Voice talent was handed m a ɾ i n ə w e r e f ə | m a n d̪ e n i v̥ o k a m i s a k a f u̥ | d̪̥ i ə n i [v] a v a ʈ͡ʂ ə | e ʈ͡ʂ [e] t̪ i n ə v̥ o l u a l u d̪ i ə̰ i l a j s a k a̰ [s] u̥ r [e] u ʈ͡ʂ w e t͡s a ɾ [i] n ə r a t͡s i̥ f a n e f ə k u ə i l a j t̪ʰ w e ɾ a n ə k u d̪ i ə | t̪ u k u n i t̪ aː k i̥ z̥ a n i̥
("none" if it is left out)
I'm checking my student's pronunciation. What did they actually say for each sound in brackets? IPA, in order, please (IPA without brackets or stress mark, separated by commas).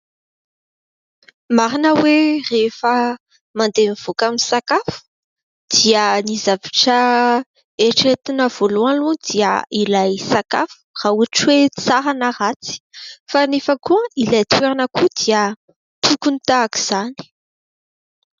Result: z, e, f, a, a